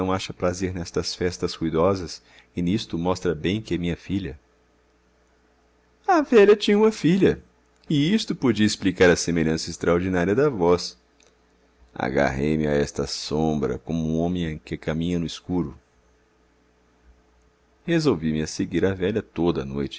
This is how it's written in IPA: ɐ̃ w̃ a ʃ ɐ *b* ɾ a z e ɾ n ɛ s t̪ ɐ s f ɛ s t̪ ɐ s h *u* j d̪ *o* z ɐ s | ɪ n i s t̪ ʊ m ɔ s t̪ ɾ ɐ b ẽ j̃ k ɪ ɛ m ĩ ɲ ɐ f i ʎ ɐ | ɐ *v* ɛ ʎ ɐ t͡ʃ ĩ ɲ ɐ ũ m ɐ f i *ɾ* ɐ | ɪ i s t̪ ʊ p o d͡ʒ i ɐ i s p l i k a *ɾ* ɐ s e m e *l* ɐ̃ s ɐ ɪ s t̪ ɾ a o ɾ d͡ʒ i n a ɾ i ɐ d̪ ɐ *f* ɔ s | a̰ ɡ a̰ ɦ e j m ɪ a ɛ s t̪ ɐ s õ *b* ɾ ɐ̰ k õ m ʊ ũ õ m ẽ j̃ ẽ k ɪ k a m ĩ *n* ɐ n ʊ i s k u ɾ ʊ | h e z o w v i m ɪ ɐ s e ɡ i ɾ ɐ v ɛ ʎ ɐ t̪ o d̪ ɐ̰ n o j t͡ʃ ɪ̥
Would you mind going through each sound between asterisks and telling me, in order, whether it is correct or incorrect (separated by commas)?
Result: incorrect, correct, incorrect, correct, incorrect, correct, incorrect, incorrect, correct, incorrect